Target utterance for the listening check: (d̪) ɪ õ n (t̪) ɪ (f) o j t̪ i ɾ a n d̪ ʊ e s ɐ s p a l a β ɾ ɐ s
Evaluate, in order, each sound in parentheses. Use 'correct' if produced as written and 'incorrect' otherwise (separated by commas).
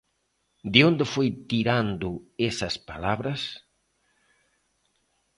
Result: correct, incorrect, correct